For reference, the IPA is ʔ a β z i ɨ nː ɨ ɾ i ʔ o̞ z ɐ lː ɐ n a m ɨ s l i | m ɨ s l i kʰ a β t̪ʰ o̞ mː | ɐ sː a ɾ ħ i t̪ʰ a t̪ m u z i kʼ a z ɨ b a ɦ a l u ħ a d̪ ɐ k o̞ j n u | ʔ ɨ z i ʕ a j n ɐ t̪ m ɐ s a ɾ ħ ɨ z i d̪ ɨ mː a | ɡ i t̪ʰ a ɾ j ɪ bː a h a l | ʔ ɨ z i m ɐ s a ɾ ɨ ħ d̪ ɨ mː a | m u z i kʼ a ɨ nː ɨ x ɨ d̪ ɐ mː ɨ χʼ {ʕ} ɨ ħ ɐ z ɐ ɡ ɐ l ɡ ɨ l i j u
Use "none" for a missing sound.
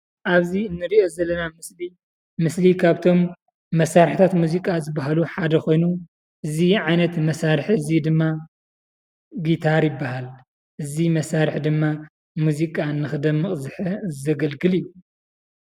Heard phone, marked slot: z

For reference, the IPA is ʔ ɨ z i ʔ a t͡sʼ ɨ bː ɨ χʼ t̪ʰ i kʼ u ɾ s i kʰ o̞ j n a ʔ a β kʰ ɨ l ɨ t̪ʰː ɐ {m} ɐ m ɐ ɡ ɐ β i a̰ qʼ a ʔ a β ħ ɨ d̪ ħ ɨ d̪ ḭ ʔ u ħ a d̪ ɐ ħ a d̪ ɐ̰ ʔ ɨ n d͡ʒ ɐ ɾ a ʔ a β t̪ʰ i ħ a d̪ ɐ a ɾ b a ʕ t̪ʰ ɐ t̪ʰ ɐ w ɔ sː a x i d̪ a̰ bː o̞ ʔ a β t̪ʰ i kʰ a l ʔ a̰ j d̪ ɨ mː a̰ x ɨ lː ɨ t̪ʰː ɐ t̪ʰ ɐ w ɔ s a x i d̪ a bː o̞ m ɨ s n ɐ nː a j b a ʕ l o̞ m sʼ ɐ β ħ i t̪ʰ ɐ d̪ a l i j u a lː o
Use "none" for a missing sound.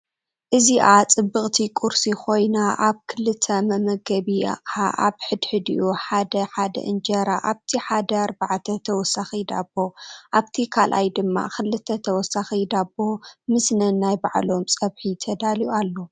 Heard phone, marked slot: m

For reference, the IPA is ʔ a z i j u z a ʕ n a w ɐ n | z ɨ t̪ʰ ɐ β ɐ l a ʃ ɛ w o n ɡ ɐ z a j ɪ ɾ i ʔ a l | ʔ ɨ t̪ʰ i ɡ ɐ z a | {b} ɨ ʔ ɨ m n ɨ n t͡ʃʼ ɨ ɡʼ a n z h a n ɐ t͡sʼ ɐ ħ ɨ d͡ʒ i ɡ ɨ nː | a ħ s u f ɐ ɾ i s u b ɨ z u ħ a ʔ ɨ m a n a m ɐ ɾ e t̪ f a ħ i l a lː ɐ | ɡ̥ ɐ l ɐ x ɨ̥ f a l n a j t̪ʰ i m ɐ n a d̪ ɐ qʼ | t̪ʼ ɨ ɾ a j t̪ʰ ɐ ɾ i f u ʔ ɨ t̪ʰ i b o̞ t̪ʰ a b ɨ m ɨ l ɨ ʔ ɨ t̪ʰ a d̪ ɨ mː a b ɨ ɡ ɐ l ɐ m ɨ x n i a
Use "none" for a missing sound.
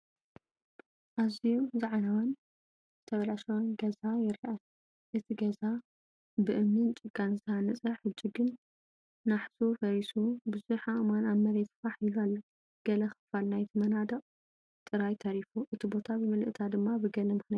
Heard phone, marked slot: b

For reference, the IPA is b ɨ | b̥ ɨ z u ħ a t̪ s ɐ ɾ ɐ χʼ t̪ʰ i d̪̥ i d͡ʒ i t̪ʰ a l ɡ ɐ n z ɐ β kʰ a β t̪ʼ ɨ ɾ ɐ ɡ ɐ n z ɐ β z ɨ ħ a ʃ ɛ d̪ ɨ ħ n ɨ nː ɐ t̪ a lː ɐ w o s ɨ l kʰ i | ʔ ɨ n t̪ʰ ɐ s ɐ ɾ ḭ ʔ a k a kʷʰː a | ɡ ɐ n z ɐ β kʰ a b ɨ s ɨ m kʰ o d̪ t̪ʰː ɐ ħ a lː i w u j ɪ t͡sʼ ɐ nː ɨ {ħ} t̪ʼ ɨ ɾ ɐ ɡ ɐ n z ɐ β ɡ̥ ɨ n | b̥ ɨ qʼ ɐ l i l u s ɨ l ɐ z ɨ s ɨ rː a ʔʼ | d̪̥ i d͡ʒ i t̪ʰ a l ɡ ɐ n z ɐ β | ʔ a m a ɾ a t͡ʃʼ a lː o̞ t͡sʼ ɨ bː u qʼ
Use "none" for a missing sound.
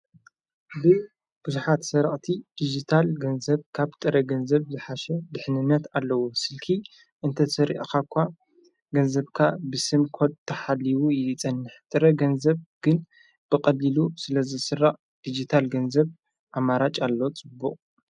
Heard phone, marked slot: ħ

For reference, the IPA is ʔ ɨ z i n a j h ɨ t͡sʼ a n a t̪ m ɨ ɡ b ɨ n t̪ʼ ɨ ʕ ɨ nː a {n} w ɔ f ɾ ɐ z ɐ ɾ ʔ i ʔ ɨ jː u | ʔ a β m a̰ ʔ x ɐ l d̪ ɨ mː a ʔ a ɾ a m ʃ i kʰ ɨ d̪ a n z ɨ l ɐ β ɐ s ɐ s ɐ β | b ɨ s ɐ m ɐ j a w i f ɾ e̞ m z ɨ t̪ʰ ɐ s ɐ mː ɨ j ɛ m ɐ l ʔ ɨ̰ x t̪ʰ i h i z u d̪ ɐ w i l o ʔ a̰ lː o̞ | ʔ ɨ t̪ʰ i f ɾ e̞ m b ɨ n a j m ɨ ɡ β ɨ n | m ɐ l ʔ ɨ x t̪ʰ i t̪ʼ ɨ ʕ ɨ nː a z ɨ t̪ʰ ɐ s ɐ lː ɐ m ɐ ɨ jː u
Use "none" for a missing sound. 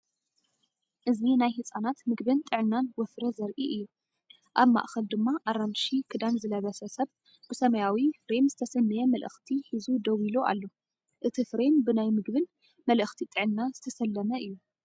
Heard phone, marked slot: n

